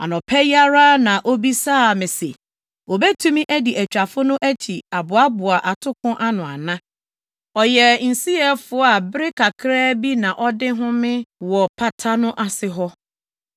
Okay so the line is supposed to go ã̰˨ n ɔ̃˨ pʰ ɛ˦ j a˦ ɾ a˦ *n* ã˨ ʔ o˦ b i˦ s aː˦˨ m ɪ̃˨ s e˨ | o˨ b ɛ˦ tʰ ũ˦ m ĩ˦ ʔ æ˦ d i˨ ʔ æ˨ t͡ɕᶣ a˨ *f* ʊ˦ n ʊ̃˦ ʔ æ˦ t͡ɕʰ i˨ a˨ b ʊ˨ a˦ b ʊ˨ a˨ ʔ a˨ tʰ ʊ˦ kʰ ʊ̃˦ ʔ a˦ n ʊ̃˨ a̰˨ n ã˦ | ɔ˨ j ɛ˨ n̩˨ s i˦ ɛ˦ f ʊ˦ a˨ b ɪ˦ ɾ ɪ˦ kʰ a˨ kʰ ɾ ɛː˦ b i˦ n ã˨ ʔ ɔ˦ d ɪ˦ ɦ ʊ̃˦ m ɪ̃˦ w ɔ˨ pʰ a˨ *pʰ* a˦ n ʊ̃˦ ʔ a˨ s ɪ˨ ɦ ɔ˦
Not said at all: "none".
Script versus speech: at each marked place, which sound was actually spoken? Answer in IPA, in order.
n, f, tʰ

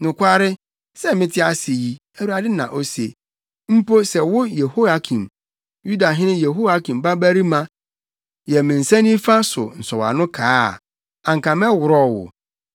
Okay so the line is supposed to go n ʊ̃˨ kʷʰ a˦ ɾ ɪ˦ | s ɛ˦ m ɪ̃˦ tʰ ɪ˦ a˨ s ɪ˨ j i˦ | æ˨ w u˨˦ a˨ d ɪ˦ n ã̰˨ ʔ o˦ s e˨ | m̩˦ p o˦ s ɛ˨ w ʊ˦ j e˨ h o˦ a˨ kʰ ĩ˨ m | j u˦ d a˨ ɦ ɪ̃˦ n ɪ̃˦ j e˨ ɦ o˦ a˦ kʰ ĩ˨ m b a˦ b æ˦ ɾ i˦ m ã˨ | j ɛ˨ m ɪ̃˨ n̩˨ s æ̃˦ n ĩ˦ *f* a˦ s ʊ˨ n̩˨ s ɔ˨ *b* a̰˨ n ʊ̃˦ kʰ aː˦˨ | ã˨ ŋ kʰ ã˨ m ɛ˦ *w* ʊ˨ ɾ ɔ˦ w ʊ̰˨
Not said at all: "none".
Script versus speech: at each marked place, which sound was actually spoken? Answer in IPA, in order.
f, w, w

